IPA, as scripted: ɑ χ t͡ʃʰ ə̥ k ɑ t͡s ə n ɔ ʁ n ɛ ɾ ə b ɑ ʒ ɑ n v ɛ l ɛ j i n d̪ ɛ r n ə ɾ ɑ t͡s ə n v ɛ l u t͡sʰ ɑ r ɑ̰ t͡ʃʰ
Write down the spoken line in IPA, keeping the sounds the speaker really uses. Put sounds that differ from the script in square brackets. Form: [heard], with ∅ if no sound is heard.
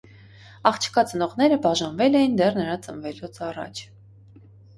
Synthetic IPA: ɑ χ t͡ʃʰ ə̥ k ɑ t͡s ə n ɔ ʁ n ɛ ɾ ə b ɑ ʒ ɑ n v ɛ l ɛ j i n d̪ ɛ r n ə ɾ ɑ t͡s ə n v ɛ l u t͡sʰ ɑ r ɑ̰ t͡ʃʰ

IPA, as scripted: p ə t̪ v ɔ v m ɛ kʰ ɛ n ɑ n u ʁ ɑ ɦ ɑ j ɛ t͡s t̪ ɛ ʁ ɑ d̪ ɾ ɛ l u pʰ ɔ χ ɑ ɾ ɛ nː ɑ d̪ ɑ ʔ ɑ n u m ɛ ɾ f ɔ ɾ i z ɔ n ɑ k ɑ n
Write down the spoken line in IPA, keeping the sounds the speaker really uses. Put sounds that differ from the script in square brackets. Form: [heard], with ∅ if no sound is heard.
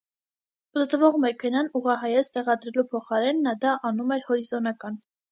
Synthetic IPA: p ə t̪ v ɔ [ʁ] m ɛ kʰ ɛ n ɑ n u ʁ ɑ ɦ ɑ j ɛ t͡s t̪ ɛ ʁ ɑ d̪ ɾ ɛ l u pʰ ɔ χ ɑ ɾ ɛ nː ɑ d̪ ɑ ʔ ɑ n u m ɛ ɾ [h] ɔ ɾ i z ɔ n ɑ k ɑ n

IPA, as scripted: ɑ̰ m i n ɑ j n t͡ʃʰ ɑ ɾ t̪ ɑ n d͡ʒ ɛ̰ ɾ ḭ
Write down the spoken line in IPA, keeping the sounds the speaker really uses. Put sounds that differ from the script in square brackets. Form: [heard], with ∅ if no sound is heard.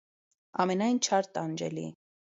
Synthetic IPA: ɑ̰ m [ɛ] n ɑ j n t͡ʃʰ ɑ ɾ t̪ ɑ n d͡ʒ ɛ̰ [l] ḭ

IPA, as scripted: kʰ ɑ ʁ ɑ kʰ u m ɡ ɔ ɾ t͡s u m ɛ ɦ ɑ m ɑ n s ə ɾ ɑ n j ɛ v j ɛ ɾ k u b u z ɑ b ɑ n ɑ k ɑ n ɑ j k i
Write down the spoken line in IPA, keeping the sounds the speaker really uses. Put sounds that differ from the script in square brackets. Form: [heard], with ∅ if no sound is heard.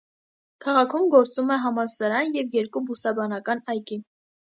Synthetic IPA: kʰ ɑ ʁ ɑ kʰ u m ɡ ɔ ɾ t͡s u m ɛ ɦ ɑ m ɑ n s [ɑ] ɾ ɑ n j ɛ v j ɛ ɾ k u b u [s] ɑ b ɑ n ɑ k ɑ n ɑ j k i

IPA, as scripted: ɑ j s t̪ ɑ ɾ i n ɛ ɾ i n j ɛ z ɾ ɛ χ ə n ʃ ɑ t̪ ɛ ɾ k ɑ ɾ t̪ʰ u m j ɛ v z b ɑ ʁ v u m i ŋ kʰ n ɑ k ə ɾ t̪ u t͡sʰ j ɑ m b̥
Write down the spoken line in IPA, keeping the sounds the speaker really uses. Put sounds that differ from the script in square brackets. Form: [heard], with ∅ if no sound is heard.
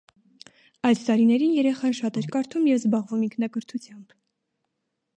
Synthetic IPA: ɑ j s t̪ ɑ ɾ i n ɛ ɾ i n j ɛ [∅] ɾ ɛ χ [ɑ] n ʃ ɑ t̪ ɛ ɾ k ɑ ɾ t̪ʰ u m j ɛ v z b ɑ ʁ v u m i ŋ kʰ n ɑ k ə ɾ [t̪ʰ] u t͡sʰ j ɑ m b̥

